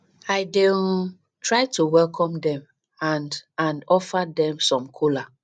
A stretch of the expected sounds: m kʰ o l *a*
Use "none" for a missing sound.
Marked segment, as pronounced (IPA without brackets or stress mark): a